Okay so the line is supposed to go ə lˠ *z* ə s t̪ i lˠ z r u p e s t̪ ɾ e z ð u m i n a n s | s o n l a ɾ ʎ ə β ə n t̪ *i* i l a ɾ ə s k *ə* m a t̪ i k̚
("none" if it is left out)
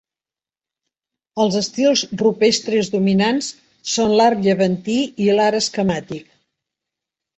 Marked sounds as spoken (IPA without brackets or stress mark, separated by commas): z, i, ə